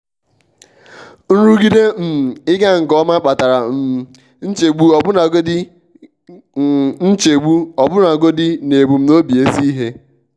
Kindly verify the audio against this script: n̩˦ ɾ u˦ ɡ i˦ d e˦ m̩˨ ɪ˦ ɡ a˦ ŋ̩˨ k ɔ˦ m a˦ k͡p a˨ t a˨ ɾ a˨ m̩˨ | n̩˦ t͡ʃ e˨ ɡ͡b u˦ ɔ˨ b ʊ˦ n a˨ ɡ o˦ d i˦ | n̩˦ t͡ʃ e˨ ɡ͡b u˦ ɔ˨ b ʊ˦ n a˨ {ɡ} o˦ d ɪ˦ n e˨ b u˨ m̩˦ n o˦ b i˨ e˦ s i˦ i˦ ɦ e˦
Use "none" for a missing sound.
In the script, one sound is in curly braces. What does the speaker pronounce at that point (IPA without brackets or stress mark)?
ɡ